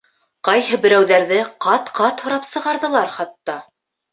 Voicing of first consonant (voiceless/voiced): voiceless